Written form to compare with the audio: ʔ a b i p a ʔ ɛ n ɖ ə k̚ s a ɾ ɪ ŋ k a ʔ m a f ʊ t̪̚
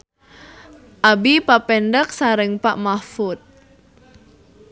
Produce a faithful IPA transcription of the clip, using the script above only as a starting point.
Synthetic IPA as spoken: ʔ a b i p a p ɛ n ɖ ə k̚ s a ɾ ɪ ŋ p a ʔ m a f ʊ t̪̚